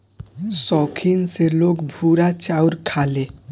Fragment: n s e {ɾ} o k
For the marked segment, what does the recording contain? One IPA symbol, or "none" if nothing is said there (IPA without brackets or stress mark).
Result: l